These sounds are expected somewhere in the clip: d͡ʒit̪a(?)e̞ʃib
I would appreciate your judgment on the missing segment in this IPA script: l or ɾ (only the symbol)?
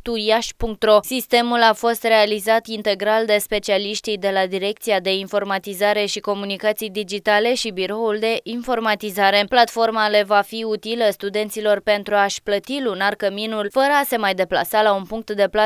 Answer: l